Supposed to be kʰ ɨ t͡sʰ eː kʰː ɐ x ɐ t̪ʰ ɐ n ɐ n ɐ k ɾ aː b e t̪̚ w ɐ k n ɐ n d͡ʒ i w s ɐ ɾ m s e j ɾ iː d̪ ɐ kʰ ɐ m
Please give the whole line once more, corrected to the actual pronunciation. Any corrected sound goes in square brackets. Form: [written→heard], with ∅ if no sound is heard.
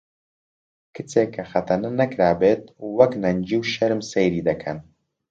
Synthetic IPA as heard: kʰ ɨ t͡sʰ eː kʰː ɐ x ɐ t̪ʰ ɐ n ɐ n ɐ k ɾ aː b e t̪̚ w ɐ k n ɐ n d͡ʒ i w [s→ʃ] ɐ ɾ m s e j ɾ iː d̪ ɐ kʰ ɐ [m→n]